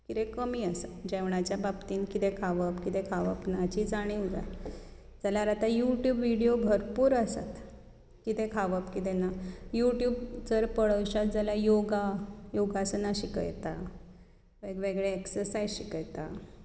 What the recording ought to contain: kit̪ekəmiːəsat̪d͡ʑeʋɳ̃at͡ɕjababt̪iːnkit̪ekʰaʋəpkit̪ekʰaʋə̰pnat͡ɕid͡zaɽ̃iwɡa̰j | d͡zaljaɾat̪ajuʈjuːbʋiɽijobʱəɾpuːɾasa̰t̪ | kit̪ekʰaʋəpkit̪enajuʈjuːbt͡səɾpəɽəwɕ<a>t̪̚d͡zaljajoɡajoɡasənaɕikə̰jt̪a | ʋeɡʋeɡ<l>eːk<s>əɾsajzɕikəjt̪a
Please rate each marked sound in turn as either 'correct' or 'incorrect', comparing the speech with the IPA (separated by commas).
correct, incorrect, correct